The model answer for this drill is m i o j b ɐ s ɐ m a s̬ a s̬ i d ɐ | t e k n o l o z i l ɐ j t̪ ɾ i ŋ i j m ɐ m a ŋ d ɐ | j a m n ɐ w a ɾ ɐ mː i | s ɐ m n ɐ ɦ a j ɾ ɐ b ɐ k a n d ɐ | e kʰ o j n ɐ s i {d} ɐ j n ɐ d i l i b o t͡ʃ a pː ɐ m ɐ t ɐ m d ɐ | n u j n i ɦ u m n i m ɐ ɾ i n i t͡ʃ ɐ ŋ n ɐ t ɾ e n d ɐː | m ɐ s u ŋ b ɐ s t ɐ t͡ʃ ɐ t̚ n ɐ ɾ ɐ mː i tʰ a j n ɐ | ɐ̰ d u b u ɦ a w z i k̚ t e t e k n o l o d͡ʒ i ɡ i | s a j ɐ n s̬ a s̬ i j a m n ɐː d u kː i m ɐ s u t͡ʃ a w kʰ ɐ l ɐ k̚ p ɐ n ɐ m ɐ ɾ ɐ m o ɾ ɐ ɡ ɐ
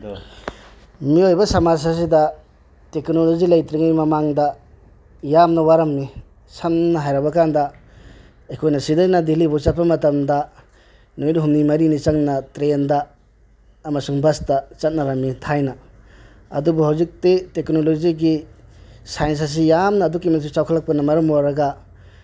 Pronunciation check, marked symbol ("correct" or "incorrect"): correct